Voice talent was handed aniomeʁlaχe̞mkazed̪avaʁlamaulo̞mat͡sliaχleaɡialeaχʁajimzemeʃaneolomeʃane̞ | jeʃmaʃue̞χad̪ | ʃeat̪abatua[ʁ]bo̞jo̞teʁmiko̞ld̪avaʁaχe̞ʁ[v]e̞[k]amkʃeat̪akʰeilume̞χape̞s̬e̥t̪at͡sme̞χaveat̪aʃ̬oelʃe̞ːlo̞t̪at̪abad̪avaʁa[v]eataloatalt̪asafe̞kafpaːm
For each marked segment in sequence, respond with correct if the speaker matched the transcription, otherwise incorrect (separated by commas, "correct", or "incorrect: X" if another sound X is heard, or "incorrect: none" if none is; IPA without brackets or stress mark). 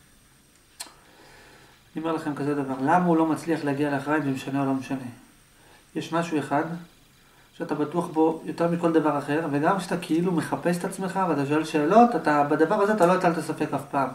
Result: incorrect: χ, correct, incorrect: ɡ, incorrect: z